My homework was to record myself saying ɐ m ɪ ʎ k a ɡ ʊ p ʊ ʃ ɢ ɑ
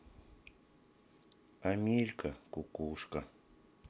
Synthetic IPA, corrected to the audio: a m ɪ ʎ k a k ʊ k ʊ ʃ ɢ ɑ

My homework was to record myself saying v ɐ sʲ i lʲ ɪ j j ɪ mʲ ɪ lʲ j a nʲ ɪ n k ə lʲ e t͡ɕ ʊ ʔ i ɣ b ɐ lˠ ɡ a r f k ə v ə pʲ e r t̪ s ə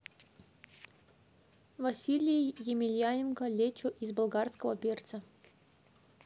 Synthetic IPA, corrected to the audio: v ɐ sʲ i lʲ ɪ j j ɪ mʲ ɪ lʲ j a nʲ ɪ n k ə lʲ e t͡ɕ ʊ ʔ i z b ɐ lˠ ɡ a r s k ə v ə pʲ e r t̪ s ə

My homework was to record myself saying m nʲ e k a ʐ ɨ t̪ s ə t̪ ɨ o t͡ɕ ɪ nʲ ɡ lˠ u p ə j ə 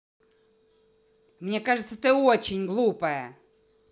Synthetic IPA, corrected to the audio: m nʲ e k a ʐ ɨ t̪ s ə t̪ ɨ o t͡ɕ ɪ nʲ ɡ lˠ u p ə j ə

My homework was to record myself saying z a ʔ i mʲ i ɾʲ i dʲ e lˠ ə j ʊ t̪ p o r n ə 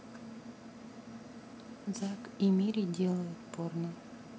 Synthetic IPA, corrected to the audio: z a k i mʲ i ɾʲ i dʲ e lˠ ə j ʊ t̪ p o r n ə

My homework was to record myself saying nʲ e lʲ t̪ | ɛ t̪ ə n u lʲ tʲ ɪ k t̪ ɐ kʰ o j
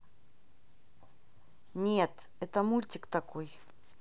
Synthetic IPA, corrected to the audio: nʲ e t̪ | ɛ t̪ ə m u lʲ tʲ ɪ k t̪ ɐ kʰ o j

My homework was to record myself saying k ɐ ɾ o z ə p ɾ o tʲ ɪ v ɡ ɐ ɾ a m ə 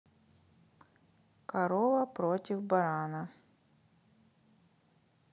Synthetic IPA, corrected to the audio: k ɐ ɾ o v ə p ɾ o tʲ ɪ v b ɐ ɾ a n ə

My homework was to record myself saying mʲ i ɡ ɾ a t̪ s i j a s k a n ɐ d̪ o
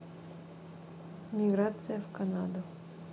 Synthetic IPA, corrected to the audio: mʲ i ɡ ɾ a t̪ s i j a f k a n a d̪ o

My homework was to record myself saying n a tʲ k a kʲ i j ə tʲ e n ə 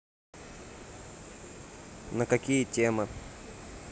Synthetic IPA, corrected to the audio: n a k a kʲ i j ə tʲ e m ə

